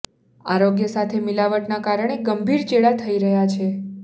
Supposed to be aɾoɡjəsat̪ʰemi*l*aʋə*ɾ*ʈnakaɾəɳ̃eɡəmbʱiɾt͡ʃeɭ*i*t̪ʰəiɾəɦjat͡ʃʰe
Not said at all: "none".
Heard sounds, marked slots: l, none, a

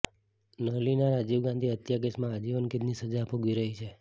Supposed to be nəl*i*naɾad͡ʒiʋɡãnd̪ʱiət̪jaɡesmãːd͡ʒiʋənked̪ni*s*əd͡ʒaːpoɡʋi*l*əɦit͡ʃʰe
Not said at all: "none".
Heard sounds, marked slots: i, s, ɾ

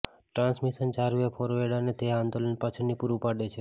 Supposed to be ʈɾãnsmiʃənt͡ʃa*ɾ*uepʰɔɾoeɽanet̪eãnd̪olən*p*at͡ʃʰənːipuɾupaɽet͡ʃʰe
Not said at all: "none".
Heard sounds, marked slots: ɾ, p

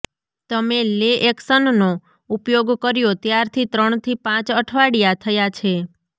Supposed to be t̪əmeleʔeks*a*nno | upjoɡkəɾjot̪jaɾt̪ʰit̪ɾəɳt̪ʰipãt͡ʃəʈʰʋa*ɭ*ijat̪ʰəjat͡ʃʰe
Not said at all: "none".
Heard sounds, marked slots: ə, ɽ

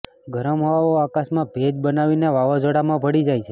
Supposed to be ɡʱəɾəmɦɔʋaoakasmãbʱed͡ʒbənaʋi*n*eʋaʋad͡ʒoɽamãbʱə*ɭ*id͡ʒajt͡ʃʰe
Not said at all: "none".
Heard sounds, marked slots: n, ɽ

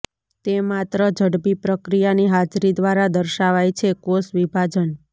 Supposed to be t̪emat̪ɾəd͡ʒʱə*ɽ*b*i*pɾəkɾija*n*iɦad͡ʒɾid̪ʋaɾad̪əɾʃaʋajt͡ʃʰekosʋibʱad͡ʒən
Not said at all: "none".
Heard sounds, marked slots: ɽ, i, n

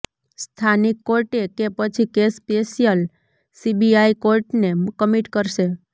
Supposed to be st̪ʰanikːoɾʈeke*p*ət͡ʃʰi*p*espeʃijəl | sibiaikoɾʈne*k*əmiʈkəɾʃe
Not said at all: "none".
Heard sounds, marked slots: p, k, k

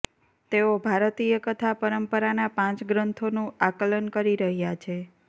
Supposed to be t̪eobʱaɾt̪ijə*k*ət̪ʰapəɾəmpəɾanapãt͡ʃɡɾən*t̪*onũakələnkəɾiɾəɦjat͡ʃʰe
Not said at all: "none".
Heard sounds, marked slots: k, t̪ʰ

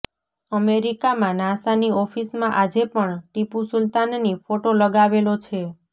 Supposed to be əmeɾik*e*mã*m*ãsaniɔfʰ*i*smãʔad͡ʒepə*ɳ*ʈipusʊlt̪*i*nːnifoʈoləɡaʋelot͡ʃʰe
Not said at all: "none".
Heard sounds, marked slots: a, n, i, ɳ, a

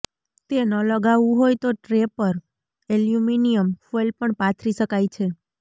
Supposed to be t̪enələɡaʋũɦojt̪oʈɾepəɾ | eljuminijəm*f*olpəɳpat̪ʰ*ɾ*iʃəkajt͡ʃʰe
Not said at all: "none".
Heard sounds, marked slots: f, ɾ

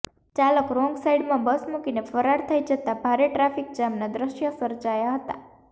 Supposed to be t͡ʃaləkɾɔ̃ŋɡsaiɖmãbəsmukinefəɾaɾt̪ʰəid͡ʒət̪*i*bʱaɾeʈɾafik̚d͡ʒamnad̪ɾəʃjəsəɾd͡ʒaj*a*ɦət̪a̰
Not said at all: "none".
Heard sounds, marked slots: a, a

